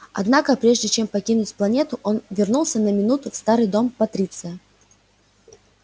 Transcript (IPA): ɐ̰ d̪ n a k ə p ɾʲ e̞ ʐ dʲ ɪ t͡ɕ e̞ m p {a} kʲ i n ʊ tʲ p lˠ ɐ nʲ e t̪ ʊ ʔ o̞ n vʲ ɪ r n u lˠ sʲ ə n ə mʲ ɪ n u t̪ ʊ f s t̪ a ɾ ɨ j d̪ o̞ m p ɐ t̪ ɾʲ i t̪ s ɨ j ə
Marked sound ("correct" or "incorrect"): incorrect